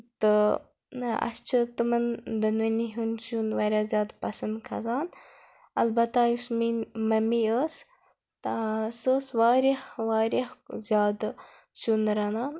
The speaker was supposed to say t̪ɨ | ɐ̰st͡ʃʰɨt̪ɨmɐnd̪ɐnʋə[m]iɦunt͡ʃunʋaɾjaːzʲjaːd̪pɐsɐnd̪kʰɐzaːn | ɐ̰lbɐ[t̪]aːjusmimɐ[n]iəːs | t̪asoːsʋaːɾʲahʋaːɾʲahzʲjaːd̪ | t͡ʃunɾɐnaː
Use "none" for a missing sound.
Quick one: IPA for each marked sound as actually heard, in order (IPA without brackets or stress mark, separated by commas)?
n, t̪, m